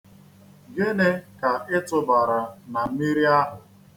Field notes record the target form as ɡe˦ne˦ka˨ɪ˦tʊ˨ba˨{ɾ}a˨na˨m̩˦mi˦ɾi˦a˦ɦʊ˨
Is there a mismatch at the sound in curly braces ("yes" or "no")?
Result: no